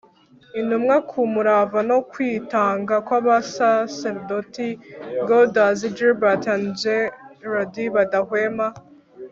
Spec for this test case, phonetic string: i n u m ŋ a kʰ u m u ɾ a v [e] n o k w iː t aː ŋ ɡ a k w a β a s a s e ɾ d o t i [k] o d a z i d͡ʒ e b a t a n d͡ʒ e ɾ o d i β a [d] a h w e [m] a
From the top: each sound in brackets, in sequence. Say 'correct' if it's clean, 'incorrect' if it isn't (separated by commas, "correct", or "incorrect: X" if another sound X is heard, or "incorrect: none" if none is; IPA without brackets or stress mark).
incorrect: a, incorrect: ɡ, correct, correct